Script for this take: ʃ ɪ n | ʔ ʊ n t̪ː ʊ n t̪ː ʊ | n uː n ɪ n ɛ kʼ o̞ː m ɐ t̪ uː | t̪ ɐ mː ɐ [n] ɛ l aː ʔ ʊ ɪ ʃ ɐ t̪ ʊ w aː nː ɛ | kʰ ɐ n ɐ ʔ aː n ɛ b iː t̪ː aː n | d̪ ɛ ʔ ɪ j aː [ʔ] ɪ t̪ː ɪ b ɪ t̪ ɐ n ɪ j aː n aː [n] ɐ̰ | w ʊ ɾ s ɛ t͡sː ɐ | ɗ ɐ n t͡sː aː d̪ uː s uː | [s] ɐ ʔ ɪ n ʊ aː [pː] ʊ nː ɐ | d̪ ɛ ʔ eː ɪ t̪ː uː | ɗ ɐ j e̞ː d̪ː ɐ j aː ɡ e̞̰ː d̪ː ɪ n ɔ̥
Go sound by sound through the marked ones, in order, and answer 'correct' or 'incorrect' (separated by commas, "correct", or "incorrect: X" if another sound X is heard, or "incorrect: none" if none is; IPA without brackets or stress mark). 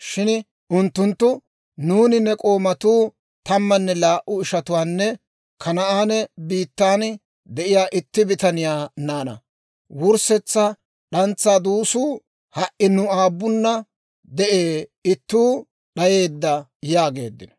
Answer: incorrect: nː, correct, correct, incorrect: h, incorrect: bː